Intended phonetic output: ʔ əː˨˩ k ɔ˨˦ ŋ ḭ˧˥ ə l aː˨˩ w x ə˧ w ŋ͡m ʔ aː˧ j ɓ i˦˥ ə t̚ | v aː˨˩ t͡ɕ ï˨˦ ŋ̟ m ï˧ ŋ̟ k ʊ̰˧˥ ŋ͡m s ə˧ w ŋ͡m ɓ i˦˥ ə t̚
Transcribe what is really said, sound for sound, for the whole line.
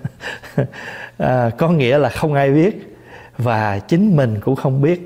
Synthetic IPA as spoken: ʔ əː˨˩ k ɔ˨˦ ŋ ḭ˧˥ ə l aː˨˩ x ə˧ w ŋ͡m ʔ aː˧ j ɓ i˦˥ ə t̚ | v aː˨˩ t͡ɕ ï˨˦ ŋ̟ m ï˨˩ ŋ̟ k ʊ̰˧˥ ŋ͡m x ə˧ w ŋ͡m ɓ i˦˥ ə t̚